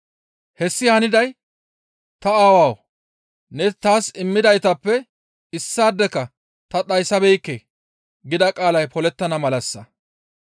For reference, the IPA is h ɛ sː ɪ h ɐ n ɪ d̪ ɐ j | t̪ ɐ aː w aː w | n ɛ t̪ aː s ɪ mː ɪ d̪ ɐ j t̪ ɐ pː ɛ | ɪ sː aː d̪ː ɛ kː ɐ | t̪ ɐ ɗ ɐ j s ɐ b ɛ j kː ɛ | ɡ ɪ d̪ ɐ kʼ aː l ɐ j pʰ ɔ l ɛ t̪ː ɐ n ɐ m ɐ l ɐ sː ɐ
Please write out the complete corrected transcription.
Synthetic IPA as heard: h ɛ sː ɪ h ɐ n ɪ d̪ ɐ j | t̪ ɐ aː w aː w | n ɛ t̪ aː s ɪ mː ɪ d̪ ɐ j t̪ ɐ pː ɛ | ɪ sː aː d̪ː ɛ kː ɐ | t̪ ɐ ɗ ɐ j s ɐ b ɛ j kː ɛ | ɡ ɪ d̪ ɐ kʼ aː l ɐ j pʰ ɔ l ɛ t̪ː ɐ n ɐ m ɐ l ɐ sː ɐ